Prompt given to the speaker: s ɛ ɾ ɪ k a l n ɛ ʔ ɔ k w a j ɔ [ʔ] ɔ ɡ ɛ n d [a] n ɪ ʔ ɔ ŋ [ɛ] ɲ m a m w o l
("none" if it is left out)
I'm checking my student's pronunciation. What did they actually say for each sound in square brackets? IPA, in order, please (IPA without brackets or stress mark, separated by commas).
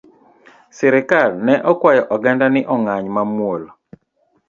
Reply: ʔ, a, a